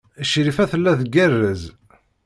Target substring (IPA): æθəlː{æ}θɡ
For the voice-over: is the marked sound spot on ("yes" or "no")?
yes